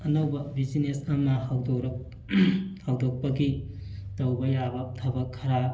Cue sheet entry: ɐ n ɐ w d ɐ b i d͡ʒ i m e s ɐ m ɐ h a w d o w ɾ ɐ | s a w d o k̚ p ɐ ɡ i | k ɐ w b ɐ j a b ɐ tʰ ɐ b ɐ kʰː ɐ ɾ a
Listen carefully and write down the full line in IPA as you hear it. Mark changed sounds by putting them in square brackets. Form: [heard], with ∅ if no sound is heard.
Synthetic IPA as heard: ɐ n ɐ w [b] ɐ b i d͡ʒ i [n] e s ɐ m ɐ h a w d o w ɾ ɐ | [h] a w d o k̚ p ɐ ɡ i | [t] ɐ w b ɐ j a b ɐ tʰ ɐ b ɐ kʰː ɐ ɾ a